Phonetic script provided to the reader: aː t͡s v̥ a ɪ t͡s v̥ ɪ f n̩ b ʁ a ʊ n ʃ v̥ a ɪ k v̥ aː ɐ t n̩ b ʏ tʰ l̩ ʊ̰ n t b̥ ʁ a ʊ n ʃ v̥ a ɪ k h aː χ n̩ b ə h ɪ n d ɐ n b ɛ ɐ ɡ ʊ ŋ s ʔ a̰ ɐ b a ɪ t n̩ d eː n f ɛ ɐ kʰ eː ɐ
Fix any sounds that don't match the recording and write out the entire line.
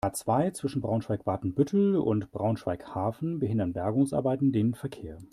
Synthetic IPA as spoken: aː t͡s v̥ a ɪ t͡s v̥ ɪ ʃ n̩ b ʁ a ʊ n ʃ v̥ a ɪ k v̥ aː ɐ t n̩ b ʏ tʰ l̩ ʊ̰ n t b̥ ʁ a ʊ n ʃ v̥ a ɪ k h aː f n̩ b ə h ɪ n d ɐ n b ɛ ɐ ɡ ʊ ŋ s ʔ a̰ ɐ b a ɪ t n̩ d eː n f ɛ ɐ kʰ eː ɐ